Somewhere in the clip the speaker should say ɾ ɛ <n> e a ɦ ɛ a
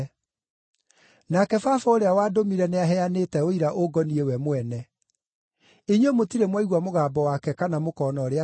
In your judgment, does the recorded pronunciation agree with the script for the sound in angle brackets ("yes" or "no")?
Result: yes